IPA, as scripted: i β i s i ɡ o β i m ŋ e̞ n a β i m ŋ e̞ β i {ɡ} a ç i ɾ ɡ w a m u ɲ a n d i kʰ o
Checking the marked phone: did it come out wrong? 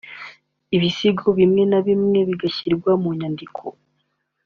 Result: no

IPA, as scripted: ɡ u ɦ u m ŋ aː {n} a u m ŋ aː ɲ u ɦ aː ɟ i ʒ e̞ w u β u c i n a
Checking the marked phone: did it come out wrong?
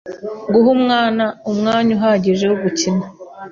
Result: no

